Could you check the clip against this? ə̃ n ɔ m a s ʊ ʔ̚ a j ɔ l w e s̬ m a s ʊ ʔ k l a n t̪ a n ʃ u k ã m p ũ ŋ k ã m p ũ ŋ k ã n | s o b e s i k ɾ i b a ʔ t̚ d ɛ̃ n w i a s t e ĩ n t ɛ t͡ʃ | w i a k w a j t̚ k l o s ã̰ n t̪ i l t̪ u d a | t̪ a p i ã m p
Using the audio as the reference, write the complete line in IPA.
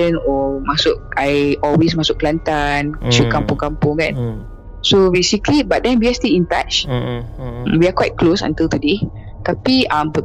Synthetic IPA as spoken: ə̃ n ɔ m a s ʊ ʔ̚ a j ɔ l w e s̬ m a s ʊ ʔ k l a n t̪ a n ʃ u k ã m p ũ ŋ k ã m p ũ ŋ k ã n | s o b e s i k l i b a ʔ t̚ d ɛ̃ n w i a s t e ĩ n t a t͡ʃ | w i a k w a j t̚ k l o s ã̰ n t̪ i l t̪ u d e | t̪ a p i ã m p